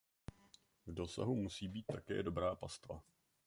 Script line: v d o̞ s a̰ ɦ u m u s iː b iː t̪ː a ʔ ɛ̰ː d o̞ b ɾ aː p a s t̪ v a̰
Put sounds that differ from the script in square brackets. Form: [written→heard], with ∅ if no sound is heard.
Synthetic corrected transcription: v d o̞ s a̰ ɦ u m u s iː b iː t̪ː a [ʔ→k] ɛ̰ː d o̞ b ɾ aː p a s t̪ v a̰